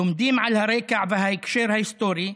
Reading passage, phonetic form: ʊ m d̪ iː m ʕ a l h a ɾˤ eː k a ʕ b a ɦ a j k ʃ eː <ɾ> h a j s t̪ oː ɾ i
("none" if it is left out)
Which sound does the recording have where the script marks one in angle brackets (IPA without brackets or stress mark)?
ɾ